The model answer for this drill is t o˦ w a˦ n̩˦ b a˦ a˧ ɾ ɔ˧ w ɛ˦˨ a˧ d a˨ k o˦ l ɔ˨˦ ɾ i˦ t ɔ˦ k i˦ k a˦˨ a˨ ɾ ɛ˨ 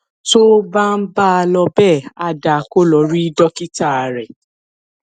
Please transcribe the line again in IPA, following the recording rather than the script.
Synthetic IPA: t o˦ b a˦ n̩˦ b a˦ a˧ l ɔ˧ b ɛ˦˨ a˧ d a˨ k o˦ l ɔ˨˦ ɾ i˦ d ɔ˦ k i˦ t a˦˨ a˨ ɾ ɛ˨